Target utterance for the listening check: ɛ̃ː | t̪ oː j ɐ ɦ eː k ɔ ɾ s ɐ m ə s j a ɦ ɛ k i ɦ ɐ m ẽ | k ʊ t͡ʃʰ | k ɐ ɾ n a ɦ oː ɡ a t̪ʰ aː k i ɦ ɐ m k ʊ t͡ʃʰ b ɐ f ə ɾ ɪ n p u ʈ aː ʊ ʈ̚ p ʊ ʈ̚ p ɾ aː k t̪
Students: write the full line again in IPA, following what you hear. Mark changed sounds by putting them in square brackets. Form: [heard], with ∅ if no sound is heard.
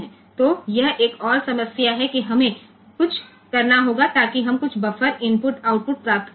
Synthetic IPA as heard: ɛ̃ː | t̪ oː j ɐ ɦ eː k [ɔː] ɾ s ɐ m ə s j a ɦ ɛ k i ɦ ɐ m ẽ | k ʊ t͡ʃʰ | k ɐ ɾ n a ɦ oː ɡ a [t̪] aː k i ɦ ɐ m k ʊ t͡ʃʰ b ɐ f ə ɾ ɪ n p [ʊ] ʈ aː ʊ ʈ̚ p ʊ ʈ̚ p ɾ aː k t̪